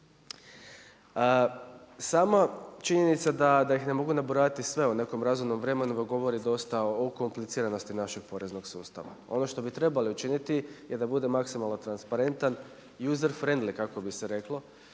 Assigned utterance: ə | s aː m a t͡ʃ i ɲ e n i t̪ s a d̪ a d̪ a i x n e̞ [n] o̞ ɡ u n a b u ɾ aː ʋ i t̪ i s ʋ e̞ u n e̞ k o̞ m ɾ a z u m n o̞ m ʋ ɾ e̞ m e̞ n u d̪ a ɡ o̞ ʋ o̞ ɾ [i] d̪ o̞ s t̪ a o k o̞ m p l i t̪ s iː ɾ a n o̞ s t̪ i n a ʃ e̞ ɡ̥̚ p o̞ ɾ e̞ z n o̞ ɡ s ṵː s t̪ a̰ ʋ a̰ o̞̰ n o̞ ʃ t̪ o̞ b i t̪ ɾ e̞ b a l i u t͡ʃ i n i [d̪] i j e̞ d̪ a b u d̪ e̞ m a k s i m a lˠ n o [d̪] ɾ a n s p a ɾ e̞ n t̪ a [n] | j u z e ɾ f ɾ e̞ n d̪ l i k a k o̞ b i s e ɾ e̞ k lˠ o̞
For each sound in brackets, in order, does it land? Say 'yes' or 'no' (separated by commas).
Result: no, yes, no, no, yes